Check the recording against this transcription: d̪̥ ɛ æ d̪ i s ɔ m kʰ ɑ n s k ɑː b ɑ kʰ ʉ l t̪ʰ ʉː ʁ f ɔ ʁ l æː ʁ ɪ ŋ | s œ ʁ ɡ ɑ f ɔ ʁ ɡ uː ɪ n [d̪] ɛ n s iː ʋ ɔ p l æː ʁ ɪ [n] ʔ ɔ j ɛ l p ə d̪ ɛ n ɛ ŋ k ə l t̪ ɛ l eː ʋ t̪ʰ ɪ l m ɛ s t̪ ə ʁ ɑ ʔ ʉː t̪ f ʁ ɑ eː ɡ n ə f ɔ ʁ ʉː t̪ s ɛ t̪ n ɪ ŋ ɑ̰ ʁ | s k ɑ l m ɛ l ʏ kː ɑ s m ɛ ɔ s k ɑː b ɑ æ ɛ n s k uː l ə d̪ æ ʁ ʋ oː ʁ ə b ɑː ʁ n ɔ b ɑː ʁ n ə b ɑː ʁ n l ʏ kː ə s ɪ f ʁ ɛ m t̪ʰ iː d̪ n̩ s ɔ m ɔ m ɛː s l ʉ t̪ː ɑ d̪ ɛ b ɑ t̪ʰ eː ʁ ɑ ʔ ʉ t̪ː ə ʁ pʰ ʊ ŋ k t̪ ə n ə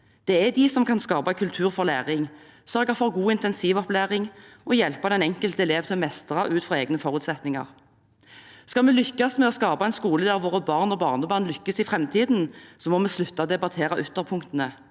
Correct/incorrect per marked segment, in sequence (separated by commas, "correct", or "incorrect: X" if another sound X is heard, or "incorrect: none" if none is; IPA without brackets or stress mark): incorrect: t̪, incorrect: ŋ